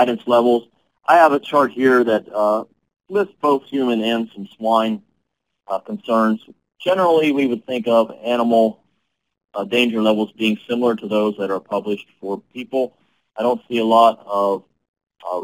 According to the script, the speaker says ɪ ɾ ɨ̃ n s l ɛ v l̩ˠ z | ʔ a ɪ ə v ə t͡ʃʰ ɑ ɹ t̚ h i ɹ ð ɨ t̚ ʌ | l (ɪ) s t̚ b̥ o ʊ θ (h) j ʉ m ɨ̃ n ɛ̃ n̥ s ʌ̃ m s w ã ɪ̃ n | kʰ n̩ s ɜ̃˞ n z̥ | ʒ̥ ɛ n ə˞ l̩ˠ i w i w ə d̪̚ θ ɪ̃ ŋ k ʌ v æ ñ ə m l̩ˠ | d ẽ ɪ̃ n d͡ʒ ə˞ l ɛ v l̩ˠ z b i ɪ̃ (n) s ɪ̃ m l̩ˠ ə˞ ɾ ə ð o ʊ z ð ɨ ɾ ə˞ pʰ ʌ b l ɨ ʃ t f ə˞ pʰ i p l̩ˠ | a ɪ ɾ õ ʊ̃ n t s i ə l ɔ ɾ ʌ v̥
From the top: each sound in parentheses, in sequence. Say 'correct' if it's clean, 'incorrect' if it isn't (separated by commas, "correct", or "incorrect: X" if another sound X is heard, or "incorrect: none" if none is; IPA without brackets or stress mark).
correct, correct, incorrect: ŋ